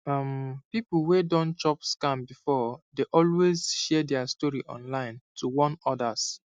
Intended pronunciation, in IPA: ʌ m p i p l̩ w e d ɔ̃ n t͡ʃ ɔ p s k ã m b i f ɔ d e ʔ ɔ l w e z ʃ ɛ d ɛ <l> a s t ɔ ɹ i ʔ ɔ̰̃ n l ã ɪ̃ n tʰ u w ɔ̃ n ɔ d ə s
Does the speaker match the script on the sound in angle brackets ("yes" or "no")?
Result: no